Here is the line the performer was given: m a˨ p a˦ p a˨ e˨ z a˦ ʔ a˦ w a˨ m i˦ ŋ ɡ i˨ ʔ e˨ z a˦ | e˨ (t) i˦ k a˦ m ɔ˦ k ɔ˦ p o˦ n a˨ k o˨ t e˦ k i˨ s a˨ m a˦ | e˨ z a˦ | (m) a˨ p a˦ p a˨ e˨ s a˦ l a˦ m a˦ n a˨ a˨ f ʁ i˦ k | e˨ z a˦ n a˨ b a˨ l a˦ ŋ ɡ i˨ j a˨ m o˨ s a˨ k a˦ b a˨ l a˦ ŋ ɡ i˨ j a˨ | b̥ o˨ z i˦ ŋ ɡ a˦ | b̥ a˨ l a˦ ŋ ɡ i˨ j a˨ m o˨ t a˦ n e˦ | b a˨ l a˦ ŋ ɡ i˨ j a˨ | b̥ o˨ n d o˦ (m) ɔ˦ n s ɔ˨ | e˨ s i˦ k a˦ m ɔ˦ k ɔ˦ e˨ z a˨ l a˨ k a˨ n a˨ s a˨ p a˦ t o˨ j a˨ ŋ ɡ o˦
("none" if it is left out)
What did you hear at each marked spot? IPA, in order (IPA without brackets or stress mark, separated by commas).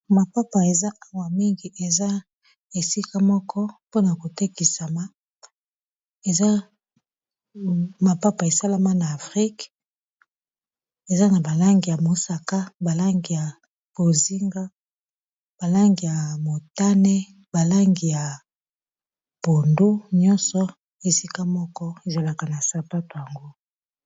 s, m, ɲ